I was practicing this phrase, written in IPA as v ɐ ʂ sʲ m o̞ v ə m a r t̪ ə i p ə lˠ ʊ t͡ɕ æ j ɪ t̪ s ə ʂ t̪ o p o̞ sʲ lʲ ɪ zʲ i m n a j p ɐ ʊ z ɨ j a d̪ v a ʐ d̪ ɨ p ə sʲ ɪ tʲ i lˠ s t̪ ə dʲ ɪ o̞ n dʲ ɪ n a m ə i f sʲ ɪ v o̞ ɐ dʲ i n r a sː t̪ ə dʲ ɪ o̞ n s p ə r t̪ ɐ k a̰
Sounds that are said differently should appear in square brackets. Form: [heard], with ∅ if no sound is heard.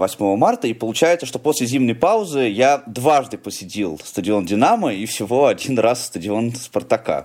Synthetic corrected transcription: v ɐ [∅] sʲ m o̞ v ə m a r t̪ ə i p ə lˠ ʊ t͡ɕ æ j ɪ t̪ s ə ʂ t̪ o p o̞ sʲ lʲ ɪ zʲ i m n [ə] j p [a] ʊ z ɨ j a d̪ v a ʐ d̪ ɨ p ə sʲ ɪ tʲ i lˠ s t̪ ə dʲ ɪ o̞ n dʲ ɪ n a m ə i f sʲ ɪ v o̞ ɐ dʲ i n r a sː t̪ ə dʲ ɪ o̞ n s p ə r t̪ ɐ k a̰